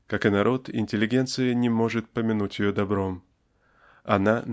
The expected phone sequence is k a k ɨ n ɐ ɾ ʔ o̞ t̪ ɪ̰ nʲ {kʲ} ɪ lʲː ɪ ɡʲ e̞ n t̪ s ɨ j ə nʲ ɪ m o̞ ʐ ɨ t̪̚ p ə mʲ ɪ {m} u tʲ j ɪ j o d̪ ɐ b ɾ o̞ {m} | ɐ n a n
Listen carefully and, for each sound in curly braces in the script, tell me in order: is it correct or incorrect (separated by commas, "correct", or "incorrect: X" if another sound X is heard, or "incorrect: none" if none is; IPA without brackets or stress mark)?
incorrect: tʲ, incorrect: n, correct